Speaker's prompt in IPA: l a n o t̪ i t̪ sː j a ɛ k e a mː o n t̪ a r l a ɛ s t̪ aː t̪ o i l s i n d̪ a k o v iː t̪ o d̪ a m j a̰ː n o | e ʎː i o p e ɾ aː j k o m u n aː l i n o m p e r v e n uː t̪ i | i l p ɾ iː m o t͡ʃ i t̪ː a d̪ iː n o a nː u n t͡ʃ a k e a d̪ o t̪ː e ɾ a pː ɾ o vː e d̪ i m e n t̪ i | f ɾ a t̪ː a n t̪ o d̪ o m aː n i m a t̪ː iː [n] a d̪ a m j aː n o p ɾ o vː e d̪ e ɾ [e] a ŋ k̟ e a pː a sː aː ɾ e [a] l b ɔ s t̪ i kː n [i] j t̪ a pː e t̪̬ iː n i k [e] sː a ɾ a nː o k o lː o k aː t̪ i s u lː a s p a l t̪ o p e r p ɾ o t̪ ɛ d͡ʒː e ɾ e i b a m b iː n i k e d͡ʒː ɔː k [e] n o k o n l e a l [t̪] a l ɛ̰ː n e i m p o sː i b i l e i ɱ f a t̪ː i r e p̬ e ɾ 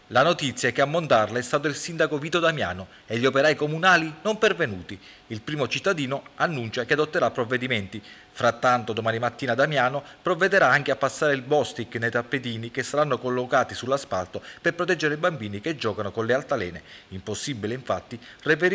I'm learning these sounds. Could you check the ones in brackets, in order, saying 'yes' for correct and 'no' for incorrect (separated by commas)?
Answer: yes, no, no, no, yes, no, yes